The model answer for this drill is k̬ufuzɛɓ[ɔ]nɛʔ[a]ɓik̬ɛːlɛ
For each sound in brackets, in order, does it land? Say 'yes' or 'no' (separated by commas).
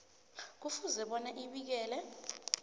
yes, no